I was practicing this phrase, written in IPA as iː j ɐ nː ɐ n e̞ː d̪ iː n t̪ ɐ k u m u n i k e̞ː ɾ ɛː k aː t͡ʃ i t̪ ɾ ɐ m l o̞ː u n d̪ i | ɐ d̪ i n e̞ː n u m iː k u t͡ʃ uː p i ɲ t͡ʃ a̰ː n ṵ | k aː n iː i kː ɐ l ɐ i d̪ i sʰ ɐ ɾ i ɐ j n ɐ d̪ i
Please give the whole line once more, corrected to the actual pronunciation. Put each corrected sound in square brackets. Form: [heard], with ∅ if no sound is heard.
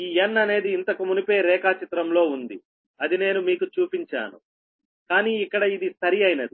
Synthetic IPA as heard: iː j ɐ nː ɐ n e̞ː d̪ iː n t̪ ɐ k u m u n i [p] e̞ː ɾ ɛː k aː t͡ʃ i t̪ ɾ ɐ m l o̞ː u n d̪ i | ɐ d̪ i n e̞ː n u m iː k u t͡ʃ uː p i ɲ t͡ʃ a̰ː n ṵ | k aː n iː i kː ɐ [ɽ] ɐ i d̪ i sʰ ɐ ɾ i ɐ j n ɐ d̪ i

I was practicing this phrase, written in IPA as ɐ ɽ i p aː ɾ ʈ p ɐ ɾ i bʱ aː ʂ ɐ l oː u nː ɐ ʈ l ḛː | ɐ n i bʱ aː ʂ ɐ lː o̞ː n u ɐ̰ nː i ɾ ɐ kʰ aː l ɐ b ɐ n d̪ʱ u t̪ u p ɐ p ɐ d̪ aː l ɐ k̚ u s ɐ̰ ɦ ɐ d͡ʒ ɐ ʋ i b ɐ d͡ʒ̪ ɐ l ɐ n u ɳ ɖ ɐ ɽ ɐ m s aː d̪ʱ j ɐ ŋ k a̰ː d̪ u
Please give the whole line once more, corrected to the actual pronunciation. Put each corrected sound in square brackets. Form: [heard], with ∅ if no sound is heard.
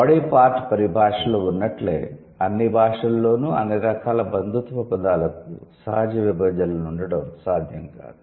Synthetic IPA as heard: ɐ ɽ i p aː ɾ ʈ p ɐ ɾ i bʱ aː ʂ ɐ l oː u nː ɐ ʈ l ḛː | ɐ [nː] i bʱ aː ʂ ɐ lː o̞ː n u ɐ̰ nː i ɾ ɐ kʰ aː l ɐ b ɐ n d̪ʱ u t̪ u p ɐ p ɐ d̪ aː l ɐ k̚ u s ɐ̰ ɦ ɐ d͡ʒ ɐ ʋ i b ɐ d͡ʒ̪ ɐ l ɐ n u ɳ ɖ ɐ ɽ ɐ m s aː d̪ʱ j ɐ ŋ k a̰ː d̪ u

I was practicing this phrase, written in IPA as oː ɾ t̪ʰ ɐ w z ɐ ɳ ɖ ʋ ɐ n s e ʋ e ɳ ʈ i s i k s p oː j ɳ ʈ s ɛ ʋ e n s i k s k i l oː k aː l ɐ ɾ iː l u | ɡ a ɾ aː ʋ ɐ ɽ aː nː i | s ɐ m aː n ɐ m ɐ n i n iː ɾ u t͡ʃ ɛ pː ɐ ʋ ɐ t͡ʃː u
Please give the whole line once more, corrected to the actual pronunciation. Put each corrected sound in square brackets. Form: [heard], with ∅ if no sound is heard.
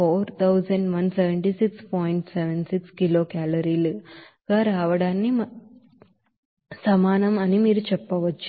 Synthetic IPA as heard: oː ɾ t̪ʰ ɐ w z ɐ ɳ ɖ ʋ ɐ n s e ʋ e ɳ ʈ i s i k s p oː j ɳ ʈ s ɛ ʋ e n s i k s k i l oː k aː l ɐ ɾ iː l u | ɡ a ɾ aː ʋ ɐ ɽ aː nː i | s ɐ m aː n ɐ m ɐ n i [m] iː ɾ u t͡ʃ ɛ pː ɐ ʋ ɐ t͡ʃː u

